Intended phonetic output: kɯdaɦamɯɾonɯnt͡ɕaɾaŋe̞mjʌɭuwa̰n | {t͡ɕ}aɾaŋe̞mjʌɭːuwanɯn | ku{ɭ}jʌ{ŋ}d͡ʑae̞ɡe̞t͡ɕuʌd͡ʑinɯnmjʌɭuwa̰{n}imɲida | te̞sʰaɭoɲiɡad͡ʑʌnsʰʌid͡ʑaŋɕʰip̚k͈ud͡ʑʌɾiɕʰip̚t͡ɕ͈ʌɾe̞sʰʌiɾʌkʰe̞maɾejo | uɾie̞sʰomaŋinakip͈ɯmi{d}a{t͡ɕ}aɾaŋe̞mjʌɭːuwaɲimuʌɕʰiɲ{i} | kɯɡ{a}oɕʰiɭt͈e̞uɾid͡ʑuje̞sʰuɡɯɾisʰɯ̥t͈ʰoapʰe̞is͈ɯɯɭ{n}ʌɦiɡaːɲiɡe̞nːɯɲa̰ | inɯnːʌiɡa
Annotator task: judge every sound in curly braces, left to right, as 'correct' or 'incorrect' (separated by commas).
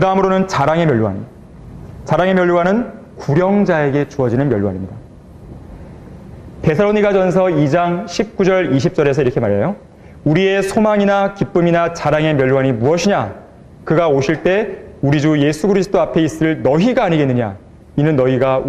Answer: correct, incorrect, correct, incorrect, incorrect, correct, incorrect, correct, correct